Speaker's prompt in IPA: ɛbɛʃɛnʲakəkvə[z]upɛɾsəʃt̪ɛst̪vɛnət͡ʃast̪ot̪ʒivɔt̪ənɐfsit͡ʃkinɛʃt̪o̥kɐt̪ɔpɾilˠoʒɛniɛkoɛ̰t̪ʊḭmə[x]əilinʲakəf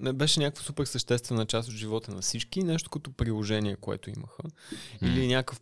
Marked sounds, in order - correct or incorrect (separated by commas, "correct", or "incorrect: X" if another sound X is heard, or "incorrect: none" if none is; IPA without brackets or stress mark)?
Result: incorrect: s, correct